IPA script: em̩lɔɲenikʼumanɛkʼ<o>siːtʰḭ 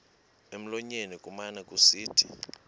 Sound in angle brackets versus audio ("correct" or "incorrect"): incorrect